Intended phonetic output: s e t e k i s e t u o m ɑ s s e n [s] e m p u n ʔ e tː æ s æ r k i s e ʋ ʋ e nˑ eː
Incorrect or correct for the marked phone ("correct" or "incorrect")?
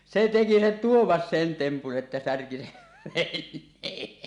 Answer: incorrect